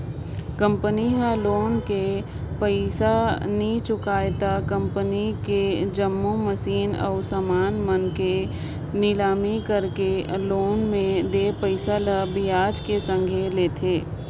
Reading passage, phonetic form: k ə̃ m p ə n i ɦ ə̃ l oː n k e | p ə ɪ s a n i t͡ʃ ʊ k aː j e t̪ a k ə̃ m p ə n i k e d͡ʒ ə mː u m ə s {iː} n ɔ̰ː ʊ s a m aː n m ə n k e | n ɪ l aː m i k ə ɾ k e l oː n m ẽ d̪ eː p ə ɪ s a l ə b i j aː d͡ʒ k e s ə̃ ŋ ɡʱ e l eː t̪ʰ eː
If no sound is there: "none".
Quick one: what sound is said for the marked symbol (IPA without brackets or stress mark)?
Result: iː